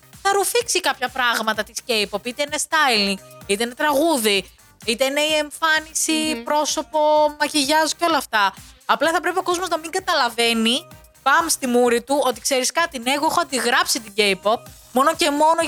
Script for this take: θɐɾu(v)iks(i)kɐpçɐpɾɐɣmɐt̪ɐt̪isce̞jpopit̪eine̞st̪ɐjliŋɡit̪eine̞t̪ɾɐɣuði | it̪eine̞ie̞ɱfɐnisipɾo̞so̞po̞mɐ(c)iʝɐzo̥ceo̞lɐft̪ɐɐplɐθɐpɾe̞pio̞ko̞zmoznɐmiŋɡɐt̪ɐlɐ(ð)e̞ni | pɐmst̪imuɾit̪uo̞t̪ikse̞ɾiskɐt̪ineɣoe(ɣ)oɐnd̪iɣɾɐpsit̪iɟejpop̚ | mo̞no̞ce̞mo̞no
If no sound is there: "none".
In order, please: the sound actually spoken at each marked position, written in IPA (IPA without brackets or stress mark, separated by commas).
f, i, c, v, x